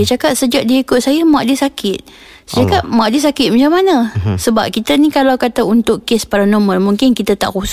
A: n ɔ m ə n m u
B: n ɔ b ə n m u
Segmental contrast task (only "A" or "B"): A